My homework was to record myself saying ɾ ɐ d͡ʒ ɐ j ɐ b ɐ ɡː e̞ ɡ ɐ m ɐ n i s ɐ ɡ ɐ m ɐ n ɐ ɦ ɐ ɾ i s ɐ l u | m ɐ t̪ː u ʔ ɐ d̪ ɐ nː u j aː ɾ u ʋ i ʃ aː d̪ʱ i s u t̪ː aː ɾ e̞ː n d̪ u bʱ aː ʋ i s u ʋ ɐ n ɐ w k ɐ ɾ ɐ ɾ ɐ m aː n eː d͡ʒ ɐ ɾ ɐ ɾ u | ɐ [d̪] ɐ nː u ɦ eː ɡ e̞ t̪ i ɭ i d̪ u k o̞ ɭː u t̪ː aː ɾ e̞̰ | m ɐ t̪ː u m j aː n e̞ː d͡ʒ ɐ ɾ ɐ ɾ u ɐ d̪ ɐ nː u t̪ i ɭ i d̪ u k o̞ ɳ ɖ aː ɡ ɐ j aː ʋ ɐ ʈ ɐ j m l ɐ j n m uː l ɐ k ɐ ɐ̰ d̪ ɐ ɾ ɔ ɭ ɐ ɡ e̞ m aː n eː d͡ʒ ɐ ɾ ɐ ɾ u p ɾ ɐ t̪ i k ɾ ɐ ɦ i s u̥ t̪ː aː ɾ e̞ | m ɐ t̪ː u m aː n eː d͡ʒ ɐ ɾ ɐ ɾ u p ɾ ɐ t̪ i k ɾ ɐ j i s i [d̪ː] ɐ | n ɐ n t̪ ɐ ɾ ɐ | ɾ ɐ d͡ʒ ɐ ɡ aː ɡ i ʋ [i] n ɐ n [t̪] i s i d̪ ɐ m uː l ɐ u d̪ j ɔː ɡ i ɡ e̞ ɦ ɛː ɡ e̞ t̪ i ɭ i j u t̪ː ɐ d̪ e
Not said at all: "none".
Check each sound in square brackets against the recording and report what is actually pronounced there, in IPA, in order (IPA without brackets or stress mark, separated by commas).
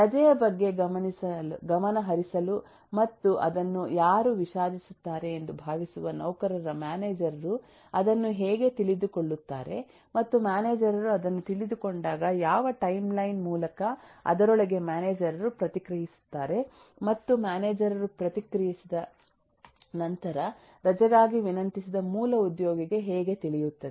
d̪, d̪, i, t̪